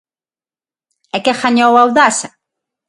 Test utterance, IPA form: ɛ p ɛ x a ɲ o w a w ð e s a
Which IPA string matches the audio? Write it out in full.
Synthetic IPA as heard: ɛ k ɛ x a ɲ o w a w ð a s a

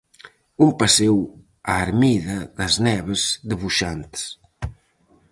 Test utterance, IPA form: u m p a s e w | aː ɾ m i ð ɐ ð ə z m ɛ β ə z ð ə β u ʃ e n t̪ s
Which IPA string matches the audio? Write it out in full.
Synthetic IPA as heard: u m p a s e w | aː ɾ m i ð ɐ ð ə z n ɛ β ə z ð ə β u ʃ a n t̪ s

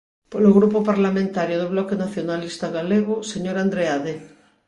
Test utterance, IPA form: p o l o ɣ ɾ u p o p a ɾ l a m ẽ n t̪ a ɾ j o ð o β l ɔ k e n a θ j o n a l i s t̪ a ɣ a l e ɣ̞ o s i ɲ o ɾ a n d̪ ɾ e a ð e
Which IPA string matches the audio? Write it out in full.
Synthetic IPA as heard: p o l o ɣ ɾ u p o p a ɾ l a m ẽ n t̪ a ɾ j o ð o β l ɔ k e n a θ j o n a l i s t̪ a ɣ a l e ɣ̞ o s e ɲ o ɾ a n d̪ ɾ e a ð e

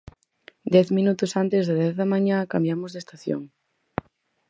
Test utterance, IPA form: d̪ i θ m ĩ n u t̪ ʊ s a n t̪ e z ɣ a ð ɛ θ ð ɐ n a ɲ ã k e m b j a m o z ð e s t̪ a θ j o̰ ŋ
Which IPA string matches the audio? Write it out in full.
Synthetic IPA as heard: d̪ ɛ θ m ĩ n u t̪ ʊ s a n t̪ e z ð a ð ɛ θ ð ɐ m a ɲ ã k a m b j a m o z ð e s t̪ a θ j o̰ ŋ

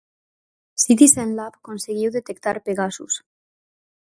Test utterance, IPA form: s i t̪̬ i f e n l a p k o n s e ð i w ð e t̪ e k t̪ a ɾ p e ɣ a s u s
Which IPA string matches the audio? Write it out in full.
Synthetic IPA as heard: s i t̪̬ i s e n l a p k o n s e ɣ i w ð e t̪ e k t̪ a ɾ p e ɣ a s u s

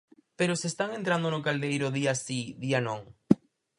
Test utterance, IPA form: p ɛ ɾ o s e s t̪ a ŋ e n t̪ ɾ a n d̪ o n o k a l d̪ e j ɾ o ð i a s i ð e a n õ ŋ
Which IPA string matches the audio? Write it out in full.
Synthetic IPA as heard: p e ɾ o s e s t̪ a ŋ e n t̪ ɾ a n d̪ o n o k a l d̪ e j ɾ o ð i a s i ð i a n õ ŋ

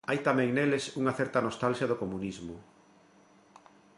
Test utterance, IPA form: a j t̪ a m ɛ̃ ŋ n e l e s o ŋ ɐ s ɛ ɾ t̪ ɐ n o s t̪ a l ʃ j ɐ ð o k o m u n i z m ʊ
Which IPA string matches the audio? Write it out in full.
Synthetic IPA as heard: a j t̪ a m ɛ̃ ŋ n e l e s u ŋ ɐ θ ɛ ɾ t̪ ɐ n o s t̪ a l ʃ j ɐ ð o k o m u n i z m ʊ

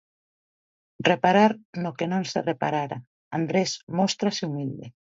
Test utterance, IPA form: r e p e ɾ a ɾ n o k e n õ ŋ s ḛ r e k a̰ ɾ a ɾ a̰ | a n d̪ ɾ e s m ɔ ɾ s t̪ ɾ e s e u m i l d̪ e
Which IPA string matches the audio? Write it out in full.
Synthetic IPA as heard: r e p a ɾ a ɾ n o k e n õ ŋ s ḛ r e p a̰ ɾ a ɾ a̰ | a n d̪ ɾ e s m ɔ s t̪ ɾ a s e u m i l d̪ e

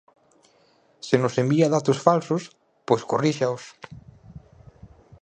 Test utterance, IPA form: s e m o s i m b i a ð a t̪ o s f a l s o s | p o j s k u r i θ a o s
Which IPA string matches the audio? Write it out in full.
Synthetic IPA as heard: s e n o s e m b i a ð a t̪ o s f a l s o s | p o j s k o r i ʃ a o s

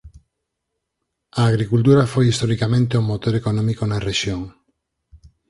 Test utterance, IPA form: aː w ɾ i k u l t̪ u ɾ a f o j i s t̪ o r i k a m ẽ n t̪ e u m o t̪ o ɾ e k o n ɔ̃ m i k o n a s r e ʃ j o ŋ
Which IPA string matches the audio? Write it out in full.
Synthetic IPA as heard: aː ɣ ɾ i k u l t̪ u ɾ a f o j i s t̪ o ɾ i k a m ẽ n t̪ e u m o t̪ o ɾ e k o n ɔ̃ m i k o n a r e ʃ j o ŋ

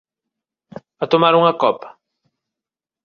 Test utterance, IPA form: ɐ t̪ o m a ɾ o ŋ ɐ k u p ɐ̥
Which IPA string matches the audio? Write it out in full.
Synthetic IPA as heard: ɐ t̪ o m a ɾ u ŋ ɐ k ɔ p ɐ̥

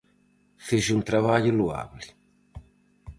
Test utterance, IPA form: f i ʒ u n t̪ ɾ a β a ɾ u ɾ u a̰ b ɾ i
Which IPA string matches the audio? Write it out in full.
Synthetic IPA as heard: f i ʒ u n t̪ ɾ a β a ʎ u l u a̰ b l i

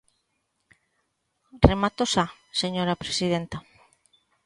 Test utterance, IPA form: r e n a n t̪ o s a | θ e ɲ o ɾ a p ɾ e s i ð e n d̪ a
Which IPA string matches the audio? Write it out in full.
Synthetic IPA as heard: r e m a t̪ o s a | s e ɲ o ɾ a p ɾ e s i ð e n t̪ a

